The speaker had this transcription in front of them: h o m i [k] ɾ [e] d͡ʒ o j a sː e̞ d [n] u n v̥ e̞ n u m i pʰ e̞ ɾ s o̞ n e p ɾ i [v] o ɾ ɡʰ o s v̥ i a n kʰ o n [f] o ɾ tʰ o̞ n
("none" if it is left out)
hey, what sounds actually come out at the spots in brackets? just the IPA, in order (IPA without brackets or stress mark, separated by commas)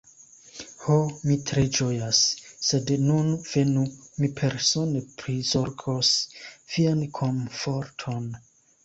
t, e, n, z, f